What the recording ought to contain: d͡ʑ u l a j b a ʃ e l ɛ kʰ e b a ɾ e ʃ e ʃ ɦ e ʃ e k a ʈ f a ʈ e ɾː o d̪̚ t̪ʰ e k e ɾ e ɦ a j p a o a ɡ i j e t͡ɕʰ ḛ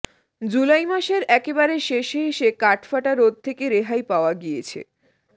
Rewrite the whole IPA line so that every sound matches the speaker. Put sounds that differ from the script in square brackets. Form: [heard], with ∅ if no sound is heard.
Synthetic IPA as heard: d͡ʑ u l a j [m] a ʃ e [ɾ] ɛ [k] e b a ɾ e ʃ e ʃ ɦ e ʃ e k a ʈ f a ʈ [a] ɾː o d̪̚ t̪ʰ e k e ɾ e ɦ a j p a o a ɡ i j e t͡ɕʰ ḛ